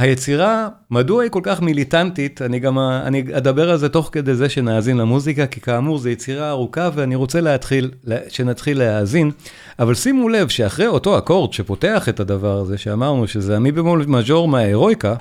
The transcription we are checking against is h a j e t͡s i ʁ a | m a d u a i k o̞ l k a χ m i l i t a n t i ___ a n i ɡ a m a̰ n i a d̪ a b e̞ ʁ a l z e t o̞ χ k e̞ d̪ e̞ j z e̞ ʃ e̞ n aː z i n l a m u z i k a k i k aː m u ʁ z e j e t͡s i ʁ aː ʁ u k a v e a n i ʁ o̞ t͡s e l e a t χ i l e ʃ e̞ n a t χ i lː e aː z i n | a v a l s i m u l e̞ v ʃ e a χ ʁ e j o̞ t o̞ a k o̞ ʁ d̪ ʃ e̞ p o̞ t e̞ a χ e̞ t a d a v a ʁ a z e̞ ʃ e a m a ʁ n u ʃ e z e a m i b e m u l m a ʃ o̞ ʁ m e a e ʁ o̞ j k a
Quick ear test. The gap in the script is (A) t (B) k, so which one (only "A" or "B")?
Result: A